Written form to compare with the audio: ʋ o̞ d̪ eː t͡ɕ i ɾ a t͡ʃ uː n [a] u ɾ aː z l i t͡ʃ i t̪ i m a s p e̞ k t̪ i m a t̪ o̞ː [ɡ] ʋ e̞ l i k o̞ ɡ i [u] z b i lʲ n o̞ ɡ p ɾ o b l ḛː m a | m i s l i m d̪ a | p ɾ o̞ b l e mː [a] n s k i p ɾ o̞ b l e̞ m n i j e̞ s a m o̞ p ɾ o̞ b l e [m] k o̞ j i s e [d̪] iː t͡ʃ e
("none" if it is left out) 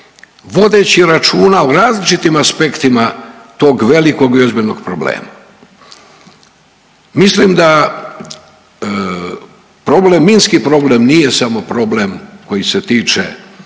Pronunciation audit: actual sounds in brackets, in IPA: a, ɡ, o, i, m, t̪

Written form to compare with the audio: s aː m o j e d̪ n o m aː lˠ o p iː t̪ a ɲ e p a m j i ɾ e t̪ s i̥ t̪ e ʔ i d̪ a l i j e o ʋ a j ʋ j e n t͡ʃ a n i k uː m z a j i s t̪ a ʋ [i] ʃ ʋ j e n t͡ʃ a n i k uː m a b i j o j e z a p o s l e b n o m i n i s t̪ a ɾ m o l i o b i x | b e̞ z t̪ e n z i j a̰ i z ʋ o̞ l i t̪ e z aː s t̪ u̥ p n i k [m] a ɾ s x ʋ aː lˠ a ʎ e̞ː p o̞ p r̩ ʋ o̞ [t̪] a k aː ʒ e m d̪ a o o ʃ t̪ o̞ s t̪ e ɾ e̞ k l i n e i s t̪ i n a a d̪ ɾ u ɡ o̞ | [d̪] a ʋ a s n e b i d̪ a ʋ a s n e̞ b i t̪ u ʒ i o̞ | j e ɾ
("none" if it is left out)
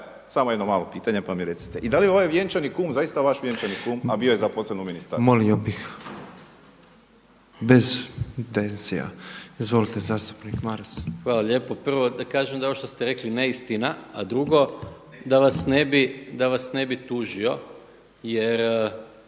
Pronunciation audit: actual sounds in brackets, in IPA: a, m, d̪, d̪

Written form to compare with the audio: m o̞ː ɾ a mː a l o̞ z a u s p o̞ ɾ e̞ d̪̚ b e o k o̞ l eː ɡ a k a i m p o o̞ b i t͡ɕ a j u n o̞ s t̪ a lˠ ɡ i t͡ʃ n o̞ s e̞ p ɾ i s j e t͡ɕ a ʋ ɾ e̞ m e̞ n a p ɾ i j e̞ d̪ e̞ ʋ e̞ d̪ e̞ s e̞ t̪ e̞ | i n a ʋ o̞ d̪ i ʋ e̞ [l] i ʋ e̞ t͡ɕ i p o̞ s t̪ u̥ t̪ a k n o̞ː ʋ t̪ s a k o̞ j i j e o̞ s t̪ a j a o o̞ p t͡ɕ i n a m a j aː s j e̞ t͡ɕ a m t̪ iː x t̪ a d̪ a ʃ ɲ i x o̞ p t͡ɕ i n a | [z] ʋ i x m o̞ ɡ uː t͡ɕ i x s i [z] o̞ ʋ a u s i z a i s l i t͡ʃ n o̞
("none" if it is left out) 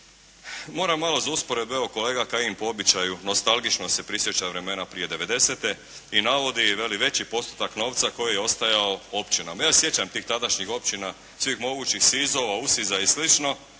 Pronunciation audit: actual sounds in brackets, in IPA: l, s, z

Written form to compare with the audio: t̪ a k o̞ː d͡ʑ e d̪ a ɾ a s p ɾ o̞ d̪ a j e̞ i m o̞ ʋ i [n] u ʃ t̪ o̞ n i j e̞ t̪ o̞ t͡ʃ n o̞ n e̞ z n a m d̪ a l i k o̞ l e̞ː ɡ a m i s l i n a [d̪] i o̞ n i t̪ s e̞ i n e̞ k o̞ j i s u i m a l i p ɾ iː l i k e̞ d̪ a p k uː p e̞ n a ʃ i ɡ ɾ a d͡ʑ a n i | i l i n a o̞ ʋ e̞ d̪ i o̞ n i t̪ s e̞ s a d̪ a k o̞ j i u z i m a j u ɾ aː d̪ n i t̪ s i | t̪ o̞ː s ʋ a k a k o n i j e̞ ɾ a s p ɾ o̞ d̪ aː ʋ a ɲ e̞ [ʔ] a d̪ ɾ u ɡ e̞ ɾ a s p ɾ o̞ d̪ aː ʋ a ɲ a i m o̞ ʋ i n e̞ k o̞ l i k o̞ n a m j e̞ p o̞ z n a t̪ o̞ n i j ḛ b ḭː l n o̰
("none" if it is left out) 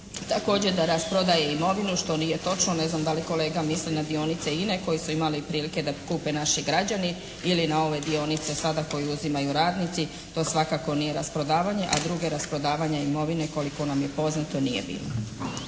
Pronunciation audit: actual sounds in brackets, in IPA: n, d̪, ʔ

